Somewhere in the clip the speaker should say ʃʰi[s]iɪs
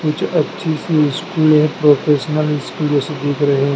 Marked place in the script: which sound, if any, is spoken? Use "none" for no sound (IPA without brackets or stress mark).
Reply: s